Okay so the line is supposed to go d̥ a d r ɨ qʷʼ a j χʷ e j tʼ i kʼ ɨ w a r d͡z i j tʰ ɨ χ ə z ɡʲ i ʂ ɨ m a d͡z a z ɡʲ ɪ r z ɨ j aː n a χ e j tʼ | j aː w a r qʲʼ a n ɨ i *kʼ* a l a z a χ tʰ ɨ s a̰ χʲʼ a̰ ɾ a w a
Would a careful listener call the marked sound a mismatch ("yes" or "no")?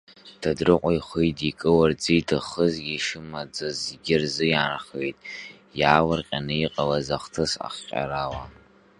yes